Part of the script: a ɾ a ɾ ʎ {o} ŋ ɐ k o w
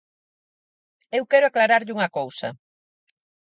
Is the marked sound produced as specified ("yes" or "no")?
no